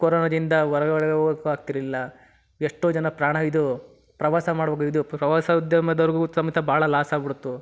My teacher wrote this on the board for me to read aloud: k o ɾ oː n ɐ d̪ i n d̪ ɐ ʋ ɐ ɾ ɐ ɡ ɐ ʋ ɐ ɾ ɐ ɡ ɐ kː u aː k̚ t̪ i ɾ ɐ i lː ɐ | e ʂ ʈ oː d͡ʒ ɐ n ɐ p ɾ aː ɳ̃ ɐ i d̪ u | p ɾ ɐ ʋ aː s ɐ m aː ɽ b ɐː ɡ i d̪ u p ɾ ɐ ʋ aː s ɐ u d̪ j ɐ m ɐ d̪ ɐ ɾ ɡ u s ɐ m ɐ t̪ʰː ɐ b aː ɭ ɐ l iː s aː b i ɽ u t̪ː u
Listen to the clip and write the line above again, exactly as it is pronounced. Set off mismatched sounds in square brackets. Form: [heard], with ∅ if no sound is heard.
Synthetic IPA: k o ɾ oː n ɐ d̪ i n d̪ ɐ ʋ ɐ ɾ ɐ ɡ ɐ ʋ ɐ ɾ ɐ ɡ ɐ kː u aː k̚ t̪ i ɾ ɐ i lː ɐ | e ʂ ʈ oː d͡ʒ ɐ n ɐ p ɾ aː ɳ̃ ɐ i d̪ u | p ɾ ɐ ʋ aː s ɐ m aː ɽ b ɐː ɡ i d̪ u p ɾ ɐ ʋ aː s ɐ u d̪ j ɐ m ɐ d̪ ɐ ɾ ɡ u s ɐ m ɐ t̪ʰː ɐ b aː ɭ ɐ l [aː] s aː b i ɽ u t̪ː u